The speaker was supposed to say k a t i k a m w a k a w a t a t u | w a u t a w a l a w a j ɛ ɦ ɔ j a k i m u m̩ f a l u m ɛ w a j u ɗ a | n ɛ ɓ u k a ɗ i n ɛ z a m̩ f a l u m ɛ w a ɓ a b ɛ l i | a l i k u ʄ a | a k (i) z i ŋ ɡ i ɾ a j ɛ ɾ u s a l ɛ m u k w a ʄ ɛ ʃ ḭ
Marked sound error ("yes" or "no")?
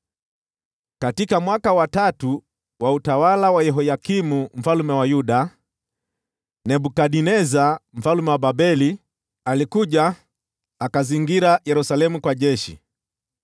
yes